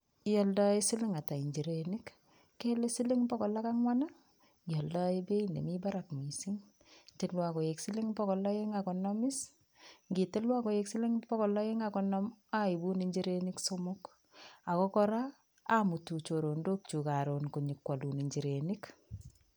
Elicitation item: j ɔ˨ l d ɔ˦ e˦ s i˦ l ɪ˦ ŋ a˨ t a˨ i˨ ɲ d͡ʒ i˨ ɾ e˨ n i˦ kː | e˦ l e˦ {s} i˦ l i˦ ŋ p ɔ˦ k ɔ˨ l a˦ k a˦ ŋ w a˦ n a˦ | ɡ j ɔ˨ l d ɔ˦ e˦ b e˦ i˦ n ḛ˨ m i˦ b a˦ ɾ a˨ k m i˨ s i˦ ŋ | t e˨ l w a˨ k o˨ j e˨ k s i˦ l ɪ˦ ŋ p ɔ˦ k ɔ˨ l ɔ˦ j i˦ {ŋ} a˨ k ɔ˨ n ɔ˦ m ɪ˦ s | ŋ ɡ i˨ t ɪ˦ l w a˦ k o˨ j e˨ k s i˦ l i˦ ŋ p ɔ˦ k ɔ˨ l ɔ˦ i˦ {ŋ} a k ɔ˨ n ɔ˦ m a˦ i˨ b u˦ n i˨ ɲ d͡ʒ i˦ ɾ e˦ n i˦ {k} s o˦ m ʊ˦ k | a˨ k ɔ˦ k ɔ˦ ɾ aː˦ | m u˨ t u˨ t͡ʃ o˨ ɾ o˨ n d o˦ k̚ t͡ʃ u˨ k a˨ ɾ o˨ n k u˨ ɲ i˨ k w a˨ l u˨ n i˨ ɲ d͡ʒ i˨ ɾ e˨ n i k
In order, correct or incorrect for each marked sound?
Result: correct, correct, correct, correct

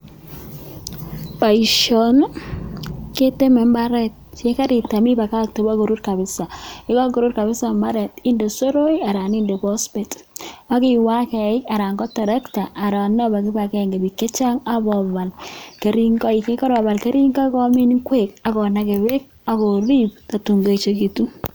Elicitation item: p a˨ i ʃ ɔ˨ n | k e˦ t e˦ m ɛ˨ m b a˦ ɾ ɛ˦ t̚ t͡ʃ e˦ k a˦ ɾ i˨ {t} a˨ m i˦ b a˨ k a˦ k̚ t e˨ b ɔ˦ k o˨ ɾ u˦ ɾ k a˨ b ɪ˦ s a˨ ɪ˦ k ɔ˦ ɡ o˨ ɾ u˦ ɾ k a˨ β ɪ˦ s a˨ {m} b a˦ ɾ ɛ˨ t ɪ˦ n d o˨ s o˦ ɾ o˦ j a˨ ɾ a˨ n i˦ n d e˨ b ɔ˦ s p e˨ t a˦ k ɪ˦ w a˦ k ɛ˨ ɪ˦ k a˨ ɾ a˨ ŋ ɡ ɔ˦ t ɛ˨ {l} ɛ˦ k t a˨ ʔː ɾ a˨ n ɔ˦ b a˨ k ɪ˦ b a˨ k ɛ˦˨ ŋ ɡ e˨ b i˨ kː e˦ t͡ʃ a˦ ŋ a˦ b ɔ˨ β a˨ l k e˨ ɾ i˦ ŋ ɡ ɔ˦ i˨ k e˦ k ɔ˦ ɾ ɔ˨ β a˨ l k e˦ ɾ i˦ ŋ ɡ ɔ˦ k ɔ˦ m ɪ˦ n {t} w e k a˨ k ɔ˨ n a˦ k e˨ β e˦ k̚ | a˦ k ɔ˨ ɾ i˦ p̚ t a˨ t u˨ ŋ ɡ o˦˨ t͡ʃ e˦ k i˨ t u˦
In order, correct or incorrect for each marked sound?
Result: correct, correct, incorrect, incorrect

